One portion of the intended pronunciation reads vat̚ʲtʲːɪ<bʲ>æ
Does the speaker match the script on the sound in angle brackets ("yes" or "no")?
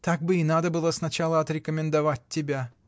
yes